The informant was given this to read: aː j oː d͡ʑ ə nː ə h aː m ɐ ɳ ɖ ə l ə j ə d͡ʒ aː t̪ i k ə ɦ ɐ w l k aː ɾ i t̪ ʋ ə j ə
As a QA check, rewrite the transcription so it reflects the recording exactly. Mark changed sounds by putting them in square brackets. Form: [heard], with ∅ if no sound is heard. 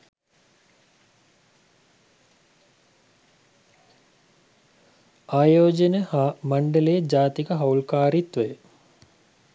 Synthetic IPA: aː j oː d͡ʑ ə [n] ə h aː m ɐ ɳ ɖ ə l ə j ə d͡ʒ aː t̪ i k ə ɦ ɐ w l k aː ɾ i t̪ ʋ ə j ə